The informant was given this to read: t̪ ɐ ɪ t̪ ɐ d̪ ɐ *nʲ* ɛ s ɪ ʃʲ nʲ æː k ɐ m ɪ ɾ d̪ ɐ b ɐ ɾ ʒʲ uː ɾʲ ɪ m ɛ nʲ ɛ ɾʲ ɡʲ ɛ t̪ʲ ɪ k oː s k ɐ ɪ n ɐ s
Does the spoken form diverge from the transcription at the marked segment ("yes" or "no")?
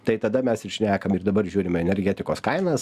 yes